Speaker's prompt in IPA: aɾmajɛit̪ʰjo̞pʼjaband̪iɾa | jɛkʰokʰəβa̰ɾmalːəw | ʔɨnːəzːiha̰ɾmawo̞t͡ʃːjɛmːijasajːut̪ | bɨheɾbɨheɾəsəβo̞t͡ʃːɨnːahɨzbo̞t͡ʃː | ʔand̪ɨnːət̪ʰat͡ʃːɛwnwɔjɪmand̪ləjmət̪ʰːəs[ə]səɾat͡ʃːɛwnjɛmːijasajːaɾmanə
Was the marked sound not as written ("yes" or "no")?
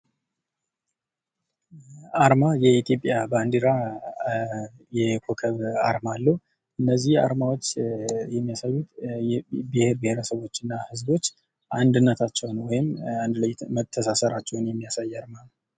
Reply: yes